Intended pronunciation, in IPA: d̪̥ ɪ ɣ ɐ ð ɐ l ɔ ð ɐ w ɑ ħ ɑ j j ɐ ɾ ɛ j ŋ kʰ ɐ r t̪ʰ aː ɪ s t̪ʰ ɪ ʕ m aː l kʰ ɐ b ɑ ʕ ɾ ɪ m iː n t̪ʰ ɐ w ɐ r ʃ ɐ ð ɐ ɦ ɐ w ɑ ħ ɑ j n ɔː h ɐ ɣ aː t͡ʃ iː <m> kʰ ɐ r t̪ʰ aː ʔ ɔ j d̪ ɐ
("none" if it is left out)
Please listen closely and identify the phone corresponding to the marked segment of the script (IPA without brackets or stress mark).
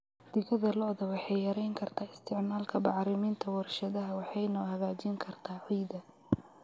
ŋ